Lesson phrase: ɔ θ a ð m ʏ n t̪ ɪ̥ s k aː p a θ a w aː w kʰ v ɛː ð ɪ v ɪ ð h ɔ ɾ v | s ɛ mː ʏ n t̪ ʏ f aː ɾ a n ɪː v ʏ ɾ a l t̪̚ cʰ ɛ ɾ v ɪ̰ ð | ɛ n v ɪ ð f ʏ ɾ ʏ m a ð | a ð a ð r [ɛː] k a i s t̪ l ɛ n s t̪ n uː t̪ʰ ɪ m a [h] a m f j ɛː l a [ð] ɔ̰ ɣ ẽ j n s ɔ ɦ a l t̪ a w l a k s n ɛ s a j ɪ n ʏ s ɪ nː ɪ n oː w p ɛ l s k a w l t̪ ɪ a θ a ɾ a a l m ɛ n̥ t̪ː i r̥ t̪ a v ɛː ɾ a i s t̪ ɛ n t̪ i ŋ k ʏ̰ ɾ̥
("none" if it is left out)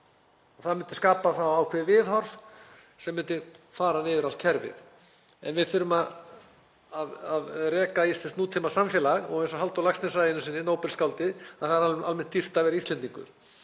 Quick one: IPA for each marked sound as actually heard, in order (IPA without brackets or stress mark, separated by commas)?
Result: ɛː, s, ɣ